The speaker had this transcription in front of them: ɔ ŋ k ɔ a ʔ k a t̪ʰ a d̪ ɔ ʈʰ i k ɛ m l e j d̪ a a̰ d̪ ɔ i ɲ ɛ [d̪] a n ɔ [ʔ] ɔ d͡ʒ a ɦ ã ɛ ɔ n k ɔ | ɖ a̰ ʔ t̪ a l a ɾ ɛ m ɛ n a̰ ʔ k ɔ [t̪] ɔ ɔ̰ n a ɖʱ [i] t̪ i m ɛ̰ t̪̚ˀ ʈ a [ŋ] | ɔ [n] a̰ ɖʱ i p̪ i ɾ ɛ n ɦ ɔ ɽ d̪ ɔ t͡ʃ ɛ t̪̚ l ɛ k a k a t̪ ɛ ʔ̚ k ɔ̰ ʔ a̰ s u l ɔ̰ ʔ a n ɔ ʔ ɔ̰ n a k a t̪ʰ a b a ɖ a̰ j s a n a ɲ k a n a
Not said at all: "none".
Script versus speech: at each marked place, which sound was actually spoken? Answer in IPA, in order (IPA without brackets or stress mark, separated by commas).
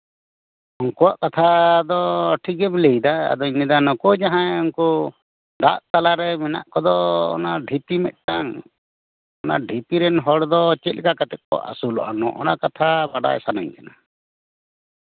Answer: d̪, k, d̪, i, ŋ, n